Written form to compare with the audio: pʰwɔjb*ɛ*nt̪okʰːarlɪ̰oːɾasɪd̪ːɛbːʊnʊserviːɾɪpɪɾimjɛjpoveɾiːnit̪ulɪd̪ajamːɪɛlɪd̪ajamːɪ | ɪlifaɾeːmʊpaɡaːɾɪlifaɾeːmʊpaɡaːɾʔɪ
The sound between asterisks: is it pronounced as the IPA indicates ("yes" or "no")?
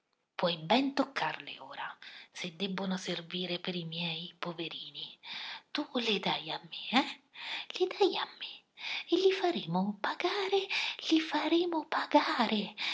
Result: yes